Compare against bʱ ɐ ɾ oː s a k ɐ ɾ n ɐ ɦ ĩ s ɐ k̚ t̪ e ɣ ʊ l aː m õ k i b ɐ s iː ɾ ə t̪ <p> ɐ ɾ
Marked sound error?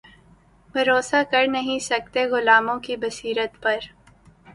no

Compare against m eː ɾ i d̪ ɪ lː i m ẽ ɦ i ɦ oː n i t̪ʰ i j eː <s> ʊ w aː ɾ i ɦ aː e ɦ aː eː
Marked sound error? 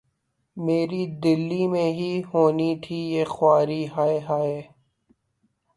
yes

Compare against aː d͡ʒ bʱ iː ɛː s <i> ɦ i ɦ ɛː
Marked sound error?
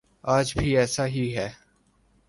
yes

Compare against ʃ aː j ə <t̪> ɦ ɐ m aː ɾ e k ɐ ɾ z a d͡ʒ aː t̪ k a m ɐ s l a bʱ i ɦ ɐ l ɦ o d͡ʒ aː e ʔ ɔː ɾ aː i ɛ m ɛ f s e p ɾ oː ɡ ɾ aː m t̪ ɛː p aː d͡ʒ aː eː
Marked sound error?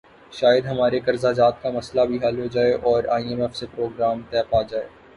yes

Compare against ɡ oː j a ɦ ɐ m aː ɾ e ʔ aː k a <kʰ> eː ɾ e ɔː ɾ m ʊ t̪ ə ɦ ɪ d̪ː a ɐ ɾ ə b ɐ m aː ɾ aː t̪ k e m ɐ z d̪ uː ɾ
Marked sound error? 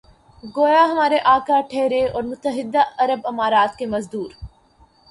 yes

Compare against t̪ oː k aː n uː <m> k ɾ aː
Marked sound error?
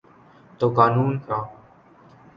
yes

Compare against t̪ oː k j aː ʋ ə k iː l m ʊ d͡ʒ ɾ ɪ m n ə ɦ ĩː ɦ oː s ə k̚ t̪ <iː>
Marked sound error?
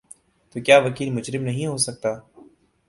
yes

